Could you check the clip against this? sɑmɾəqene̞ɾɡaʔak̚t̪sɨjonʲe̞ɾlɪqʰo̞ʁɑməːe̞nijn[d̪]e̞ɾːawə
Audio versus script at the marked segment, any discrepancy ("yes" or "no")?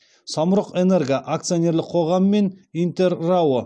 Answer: yes